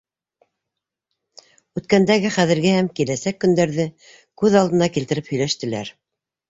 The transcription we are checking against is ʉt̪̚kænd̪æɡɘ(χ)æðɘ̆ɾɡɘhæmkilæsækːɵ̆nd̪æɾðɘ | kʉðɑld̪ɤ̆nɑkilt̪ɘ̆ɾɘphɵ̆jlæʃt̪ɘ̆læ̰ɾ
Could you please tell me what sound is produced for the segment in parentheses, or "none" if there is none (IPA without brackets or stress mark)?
χ